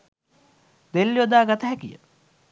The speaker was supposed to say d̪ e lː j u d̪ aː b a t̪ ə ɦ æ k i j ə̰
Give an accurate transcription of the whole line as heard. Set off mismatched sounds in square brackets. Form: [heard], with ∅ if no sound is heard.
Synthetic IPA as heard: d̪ e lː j [o] d̪ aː [ɡ] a t̪ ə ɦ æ k i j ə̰